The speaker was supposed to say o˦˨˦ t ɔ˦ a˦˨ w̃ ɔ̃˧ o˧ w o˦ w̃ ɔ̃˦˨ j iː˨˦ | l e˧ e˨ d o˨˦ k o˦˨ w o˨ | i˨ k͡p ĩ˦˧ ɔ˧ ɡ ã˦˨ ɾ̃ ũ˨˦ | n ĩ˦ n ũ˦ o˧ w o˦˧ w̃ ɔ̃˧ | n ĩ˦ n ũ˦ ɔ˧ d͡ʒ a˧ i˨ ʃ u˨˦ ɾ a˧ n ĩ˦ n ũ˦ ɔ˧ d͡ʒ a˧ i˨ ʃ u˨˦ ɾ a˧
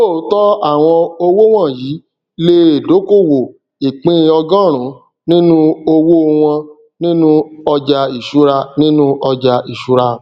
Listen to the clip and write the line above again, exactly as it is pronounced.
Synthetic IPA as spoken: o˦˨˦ t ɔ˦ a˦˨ w̃ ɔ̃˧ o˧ w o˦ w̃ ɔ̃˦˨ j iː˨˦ | l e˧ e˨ d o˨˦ k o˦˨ w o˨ | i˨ k͡p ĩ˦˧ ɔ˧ ɡ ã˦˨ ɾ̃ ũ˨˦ | n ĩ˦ n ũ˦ o˧ w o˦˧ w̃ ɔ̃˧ | n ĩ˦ n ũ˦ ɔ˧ d͡ʒ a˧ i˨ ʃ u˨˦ ɾ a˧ n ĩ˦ n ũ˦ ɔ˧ d͡ʒ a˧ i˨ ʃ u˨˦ ɾ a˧